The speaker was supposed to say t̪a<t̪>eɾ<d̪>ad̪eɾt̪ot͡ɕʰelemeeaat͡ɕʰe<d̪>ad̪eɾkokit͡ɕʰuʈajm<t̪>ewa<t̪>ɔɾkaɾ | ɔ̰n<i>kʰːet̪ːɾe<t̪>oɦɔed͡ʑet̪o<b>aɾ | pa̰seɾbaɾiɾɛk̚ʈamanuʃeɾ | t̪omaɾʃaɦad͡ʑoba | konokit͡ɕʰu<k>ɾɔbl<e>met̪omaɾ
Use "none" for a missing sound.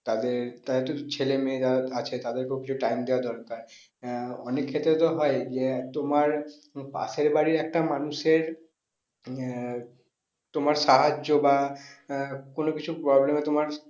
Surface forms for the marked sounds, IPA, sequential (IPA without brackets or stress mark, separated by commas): d̪, t̪, t̪, d̪, d̪, e, t̪, m, p, e